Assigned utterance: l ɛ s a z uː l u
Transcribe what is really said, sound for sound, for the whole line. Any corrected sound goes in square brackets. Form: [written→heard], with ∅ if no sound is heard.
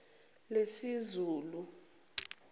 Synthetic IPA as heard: l [ɛ→e] s [a→i] z uː l u